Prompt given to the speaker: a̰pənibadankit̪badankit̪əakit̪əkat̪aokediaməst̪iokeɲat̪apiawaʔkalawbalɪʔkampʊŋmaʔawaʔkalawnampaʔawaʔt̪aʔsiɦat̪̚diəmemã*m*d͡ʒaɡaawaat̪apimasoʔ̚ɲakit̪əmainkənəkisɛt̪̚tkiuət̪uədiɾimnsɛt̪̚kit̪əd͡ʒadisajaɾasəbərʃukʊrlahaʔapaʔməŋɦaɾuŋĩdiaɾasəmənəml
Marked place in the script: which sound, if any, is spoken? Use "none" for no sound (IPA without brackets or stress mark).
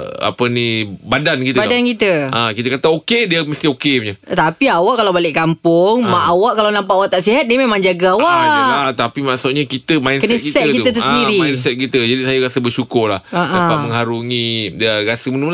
ŋ